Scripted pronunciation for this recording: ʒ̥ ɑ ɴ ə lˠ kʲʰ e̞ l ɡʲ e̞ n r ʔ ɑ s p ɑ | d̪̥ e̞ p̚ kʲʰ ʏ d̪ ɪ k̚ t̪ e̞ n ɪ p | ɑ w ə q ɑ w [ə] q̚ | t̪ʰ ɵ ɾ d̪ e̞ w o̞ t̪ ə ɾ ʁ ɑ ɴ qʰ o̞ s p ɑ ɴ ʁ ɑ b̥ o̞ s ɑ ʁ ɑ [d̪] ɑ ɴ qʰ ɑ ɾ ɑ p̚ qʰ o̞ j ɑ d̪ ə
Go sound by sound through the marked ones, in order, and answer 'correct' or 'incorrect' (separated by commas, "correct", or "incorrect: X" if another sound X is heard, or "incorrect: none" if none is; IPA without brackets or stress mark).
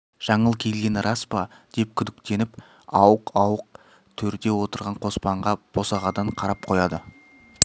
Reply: correct, correct